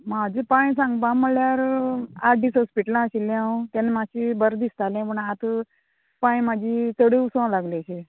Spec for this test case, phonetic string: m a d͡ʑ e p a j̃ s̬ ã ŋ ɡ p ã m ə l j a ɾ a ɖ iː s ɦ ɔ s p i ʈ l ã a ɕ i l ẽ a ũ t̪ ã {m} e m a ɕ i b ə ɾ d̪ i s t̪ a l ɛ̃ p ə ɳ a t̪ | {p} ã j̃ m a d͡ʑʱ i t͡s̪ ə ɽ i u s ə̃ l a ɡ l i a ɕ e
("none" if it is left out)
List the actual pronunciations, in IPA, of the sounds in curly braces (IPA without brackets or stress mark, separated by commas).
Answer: n, p